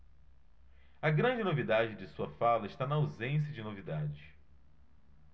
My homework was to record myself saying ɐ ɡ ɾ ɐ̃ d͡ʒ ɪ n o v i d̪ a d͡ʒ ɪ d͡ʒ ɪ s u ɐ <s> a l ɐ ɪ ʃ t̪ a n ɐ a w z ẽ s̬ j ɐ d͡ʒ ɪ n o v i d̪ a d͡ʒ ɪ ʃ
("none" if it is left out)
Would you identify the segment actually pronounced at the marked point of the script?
f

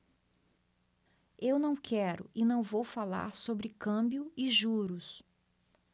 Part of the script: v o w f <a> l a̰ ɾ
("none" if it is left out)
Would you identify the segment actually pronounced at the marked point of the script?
a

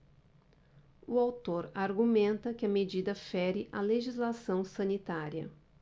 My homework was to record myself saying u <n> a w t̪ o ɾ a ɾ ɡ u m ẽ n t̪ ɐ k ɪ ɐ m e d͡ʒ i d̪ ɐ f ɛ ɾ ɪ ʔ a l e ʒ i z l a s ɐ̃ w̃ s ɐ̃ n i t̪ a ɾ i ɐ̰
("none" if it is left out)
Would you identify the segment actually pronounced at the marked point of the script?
none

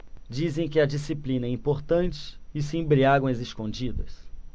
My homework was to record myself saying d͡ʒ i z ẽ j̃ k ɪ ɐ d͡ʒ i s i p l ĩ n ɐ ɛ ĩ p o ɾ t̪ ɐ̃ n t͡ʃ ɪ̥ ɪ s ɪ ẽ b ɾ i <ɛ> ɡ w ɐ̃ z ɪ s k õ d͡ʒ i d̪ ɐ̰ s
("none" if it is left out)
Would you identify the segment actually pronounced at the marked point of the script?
a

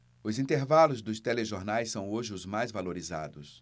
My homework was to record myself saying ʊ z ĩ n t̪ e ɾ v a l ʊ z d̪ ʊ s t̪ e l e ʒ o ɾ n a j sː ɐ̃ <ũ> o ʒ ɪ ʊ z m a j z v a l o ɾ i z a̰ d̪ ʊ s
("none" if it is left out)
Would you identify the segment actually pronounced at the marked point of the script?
w̃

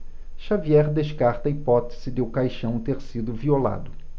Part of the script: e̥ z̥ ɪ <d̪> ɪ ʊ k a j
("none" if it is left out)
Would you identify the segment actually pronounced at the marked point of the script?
d̪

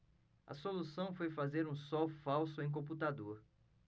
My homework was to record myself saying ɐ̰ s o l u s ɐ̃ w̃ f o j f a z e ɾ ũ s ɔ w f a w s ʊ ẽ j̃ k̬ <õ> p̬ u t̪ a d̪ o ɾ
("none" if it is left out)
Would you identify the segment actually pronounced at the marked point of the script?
õ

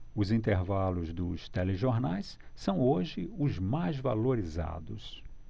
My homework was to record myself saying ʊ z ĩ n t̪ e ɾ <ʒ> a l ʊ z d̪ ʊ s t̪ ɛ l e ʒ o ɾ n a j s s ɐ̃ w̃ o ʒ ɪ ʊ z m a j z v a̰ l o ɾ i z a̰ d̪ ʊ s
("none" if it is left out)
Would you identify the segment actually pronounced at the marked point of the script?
v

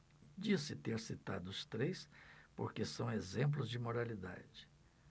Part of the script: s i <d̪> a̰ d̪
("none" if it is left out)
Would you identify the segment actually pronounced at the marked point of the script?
t̪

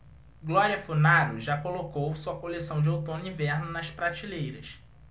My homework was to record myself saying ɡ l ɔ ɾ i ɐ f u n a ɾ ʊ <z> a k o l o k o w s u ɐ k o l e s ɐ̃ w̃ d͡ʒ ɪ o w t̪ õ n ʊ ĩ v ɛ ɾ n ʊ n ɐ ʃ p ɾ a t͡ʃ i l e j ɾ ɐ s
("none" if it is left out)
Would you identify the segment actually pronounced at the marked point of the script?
ʒ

